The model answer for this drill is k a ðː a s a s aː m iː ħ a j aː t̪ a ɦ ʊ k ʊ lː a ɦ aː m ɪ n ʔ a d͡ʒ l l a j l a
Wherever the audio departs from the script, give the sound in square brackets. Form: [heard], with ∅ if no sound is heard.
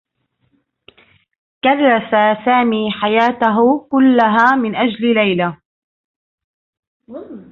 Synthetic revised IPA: k a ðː a s a s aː m iː ħ a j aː t̪ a ɦ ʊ k ʊ lː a ɦ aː m ɪ n ʔ a d͡ʒ l l a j l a